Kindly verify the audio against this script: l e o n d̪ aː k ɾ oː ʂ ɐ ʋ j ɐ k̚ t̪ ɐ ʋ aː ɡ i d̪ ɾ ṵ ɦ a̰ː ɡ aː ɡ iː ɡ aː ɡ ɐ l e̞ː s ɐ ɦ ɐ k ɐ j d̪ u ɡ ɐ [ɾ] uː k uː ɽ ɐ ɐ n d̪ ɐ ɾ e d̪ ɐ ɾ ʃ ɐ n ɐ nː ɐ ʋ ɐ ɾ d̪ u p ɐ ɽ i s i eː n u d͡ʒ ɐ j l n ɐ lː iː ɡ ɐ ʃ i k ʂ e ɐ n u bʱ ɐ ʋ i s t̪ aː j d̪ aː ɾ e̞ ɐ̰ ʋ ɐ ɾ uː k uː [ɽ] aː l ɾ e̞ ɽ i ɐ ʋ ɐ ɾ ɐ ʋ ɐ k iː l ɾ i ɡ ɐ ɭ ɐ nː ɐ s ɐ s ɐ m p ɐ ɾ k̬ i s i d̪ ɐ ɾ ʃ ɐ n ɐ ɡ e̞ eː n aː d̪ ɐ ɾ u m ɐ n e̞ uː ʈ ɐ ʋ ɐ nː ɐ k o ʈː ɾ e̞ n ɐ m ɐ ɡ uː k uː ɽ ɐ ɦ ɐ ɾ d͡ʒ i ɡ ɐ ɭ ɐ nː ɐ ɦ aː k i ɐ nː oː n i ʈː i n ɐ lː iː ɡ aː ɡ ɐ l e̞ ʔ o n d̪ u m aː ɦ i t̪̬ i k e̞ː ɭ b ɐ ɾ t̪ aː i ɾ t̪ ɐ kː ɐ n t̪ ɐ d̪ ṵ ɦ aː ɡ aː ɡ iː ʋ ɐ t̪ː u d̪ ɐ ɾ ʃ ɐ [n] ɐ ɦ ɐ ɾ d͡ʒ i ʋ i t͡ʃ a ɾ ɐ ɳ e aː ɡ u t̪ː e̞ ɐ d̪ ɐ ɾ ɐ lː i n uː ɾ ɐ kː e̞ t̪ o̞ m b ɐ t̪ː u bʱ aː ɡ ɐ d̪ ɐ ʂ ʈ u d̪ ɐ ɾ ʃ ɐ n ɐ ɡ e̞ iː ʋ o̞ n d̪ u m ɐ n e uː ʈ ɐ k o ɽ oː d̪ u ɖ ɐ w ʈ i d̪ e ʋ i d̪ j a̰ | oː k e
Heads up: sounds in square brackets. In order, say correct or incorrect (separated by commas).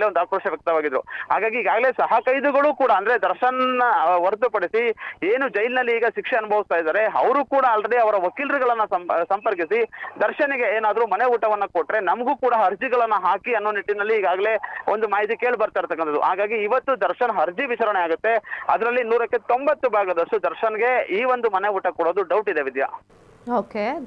incorrect, correct, correct